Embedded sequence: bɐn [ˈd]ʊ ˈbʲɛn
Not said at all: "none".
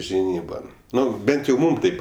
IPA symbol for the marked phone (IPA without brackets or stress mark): n